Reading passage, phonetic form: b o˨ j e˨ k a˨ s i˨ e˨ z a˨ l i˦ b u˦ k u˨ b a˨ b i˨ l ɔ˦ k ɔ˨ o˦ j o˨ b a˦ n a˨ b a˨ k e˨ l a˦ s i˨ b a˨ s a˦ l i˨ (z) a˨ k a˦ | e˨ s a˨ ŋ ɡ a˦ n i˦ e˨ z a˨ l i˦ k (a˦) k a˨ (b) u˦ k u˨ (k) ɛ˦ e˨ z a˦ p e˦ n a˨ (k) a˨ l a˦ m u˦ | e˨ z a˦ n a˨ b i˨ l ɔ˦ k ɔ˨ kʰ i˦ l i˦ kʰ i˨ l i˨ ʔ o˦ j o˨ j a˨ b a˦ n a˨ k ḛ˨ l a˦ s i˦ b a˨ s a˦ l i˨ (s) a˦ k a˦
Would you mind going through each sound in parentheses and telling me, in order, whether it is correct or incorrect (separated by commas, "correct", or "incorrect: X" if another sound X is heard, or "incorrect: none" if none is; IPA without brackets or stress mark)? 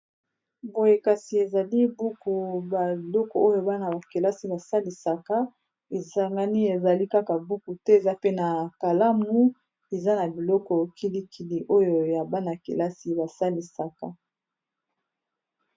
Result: incorrect: s, correct, correct, incorrect: t, correct, correct